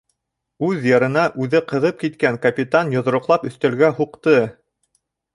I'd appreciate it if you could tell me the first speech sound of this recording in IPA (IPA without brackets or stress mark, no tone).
ʉ